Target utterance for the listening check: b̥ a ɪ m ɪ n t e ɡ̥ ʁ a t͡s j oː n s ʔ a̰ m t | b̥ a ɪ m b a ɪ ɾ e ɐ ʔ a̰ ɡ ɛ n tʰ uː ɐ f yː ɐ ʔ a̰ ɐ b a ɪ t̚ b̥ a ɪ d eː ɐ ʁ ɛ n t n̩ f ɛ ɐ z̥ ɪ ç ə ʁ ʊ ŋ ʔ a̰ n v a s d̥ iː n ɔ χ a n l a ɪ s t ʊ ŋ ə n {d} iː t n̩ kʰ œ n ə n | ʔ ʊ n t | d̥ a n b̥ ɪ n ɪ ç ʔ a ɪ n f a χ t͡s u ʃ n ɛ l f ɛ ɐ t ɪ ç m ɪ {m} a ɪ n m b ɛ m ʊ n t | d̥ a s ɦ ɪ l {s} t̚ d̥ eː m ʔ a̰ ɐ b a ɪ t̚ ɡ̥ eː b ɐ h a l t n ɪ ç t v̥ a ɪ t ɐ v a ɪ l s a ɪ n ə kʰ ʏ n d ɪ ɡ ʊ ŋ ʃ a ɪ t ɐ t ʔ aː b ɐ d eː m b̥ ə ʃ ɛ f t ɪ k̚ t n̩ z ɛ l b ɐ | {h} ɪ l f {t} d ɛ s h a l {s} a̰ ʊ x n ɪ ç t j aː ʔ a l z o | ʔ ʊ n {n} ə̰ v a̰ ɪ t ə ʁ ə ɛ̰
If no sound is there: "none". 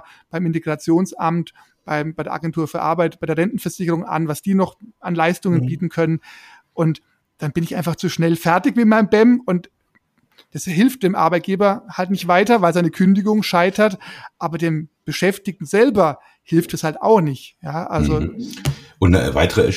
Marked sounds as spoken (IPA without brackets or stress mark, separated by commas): b, m, f, h, t, t, n